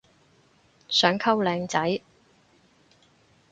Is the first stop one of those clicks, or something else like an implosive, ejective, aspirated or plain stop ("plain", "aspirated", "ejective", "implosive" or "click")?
aspirated